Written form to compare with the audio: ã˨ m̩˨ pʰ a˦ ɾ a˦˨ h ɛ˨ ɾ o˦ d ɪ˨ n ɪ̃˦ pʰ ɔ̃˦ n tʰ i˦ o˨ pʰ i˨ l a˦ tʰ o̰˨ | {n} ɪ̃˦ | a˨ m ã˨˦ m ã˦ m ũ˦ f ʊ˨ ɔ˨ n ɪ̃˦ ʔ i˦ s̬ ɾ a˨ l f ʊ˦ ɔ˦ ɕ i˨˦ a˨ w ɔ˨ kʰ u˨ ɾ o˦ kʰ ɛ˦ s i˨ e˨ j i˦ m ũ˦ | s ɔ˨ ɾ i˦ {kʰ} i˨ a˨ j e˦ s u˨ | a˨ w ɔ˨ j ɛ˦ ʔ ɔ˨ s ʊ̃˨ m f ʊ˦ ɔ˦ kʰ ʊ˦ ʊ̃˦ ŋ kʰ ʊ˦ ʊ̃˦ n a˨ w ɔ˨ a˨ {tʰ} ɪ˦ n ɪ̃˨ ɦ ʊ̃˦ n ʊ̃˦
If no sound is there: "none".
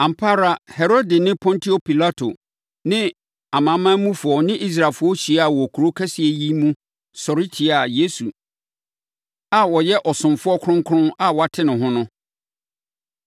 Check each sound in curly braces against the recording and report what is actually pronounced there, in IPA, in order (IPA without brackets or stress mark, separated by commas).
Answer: n, tʰ, tʰ